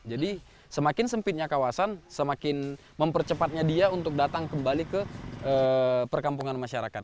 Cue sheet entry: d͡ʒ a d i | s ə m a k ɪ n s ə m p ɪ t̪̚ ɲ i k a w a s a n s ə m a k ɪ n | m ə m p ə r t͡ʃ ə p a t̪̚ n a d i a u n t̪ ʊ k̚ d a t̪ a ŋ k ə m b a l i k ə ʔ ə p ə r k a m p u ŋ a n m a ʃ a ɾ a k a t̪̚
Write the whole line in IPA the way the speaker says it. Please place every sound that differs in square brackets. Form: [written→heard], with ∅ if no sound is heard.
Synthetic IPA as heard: d͡ʒ a d i | s ə m a k ɪ n s ə m p ɪ t̪̚ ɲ [i→a] k a w a s a n s ə m a k ɪ n | m ə m p ə r t͡ʃ ə p a t̪̚ [n→ɲ] a d i a u n t̪ ʊ k̚ d a t̪ a ŋ k ə m b a l i k ə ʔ ə p ə r k a m p u ŋ a n m a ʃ a ɾ a k a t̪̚

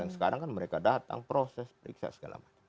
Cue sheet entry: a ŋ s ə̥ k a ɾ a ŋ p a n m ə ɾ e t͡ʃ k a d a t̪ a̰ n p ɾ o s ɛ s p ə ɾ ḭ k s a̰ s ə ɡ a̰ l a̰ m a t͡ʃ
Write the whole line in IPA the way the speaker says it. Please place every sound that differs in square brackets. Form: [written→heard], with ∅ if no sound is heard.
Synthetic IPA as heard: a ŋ s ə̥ k a ɾ a ŋ [p→k] a n m ə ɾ e [t͡ʃ→∅] k a d a t̪ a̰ [n→ŋ] p ɾ o s ɛ s p ə ɾ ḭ k s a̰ s ə ɡ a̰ l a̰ m a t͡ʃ

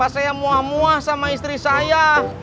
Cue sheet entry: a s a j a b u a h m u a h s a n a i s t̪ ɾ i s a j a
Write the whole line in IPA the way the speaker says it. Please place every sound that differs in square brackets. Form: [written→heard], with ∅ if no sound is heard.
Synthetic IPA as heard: a s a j a [b→m] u a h m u a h s a [n→m] a i s t̪ ɾ i s a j a

